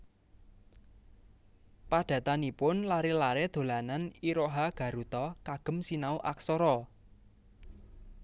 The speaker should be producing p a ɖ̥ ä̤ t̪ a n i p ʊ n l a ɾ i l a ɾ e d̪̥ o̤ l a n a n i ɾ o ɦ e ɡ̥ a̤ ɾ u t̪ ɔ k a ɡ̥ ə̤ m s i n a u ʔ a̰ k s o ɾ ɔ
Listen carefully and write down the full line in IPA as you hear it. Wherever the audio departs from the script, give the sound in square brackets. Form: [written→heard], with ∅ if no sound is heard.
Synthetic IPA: p a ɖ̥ ä̤ t̪ a n i p ʊ n l a ɾ i l a ɾ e d̪̥ o̤ l a n a n i ɾ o ɦ [e→a] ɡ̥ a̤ ɾ u t̪ ɔ k a ɡ̥ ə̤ m s i n a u ʔ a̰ k s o ɾ ɔ